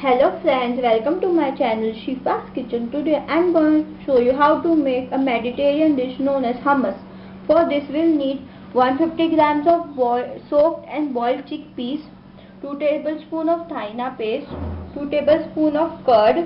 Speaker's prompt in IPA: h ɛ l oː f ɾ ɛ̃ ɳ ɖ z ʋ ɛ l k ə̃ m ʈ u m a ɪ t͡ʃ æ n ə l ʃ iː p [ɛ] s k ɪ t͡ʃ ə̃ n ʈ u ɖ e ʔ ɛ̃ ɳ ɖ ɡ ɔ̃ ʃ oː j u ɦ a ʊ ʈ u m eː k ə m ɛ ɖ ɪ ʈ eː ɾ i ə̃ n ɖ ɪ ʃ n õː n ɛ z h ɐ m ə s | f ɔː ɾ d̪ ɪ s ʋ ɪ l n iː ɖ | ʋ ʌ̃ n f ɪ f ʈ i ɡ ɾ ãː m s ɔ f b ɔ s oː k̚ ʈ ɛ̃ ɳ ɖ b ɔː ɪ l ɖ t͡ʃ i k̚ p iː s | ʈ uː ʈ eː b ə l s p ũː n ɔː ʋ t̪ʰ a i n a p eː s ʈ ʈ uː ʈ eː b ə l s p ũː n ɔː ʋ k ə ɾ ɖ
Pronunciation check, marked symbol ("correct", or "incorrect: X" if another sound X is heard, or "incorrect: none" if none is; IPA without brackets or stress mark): incorrect: a